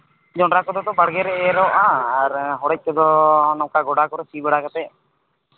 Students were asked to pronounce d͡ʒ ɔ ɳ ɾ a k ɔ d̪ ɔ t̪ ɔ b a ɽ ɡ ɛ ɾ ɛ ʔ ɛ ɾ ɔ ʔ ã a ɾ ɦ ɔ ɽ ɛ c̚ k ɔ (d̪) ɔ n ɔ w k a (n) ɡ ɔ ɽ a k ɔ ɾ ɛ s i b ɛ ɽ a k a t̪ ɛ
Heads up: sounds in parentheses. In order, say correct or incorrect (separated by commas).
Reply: correct, incorrect